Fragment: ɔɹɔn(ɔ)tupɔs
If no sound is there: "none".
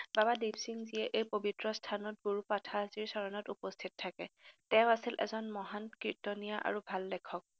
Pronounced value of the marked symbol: ɔ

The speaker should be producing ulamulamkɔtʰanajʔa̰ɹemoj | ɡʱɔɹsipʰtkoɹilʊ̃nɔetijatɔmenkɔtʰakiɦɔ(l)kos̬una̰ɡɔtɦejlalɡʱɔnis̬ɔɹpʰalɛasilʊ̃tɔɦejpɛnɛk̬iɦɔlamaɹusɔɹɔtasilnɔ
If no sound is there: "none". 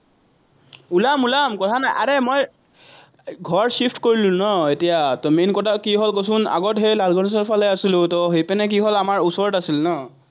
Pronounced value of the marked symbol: l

